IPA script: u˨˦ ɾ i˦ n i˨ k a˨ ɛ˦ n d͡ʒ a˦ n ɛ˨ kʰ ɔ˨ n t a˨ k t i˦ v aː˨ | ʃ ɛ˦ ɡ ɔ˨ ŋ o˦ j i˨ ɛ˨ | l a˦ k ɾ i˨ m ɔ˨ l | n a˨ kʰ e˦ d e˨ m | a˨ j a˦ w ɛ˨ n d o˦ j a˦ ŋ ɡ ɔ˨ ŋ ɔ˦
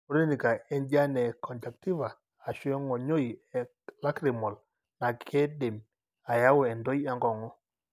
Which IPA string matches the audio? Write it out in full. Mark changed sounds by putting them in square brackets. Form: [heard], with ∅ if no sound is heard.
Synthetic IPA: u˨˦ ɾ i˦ n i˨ k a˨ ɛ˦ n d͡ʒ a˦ n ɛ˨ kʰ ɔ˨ n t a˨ k t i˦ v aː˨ | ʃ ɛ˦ [ŋ] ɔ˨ [ɲ] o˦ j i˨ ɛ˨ | l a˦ k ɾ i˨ m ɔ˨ l | n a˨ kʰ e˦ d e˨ m | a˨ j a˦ w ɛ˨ n d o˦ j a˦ ŋ ɡ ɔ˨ ŋ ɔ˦